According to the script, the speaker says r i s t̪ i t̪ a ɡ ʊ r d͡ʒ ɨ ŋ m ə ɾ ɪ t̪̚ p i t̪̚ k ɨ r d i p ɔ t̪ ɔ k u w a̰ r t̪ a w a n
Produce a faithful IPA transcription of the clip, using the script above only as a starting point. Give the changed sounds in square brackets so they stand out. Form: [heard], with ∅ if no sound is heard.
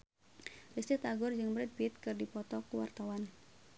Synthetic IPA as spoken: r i s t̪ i t̪ a ɡ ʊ r d͡ʒ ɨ ŋ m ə ɾ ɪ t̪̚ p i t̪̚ k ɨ r d i p ɔ t̪ ɔ k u w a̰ r t̪ a w a n